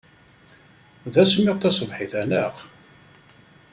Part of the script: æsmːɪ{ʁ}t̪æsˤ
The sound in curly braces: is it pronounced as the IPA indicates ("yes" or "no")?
yes